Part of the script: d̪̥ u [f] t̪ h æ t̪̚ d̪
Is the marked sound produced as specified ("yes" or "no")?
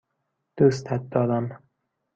no